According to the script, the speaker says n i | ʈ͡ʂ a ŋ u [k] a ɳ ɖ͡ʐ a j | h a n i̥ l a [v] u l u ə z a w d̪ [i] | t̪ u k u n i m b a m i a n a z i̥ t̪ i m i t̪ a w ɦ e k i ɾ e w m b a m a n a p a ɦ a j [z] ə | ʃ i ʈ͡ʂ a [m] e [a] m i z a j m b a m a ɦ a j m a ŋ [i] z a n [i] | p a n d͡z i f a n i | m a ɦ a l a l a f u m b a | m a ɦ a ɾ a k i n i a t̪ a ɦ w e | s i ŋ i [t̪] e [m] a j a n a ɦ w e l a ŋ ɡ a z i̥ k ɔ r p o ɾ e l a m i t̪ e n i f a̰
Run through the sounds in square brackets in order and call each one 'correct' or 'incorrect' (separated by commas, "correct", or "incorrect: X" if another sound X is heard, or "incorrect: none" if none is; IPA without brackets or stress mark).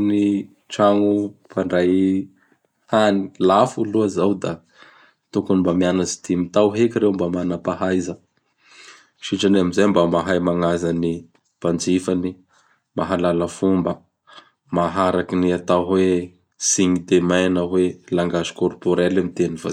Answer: incorrect: p, incorrect: f, incorrect: a, correct, incorrect: n, correct, incorrect: a, correct, incorrect: d̪, correct